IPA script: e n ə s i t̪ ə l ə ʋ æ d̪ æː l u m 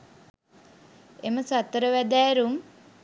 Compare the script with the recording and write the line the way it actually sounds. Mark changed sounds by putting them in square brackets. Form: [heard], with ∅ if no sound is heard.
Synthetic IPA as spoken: e [m] ə s [a] t̪ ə [ɾ] ə ʋ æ d̪ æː [ɾ] u m